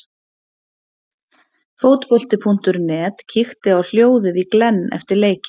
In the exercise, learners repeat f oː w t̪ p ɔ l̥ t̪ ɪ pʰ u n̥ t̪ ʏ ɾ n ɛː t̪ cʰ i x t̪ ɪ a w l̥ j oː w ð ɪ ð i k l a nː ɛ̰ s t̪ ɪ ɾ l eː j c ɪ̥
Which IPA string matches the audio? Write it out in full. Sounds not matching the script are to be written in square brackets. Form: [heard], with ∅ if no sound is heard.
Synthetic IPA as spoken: f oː w t̪ p ɔ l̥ t̪ ɪ pʰ u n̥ t̪ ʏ ɾ n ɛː t̪ cʰ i x t̪ ɪ a w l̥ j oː w ð ɪ ð i k l [ɛ] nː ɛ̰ [f] t̪ ɪ ɾ l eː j c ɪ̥